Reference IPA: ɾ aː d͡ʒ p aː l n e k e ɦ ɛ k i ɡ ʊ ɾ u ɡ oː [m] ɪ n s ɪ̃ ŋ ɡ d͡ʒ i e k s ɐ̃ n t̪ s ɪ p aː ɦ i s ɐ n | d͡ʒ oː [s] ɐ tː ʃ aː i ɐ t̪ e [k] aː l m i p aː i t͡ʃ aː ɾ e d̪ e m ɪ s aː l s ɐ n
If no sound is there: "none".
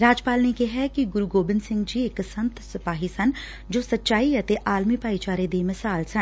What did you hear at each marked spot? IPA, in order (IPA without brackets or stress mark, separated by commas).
b, s, ʔ